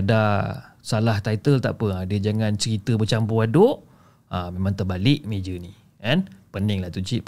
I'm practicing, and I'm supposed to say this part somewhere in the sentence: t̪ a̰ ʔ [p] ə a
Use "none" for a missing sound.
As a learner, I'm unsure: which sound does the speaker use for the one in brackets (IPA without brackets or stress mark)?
p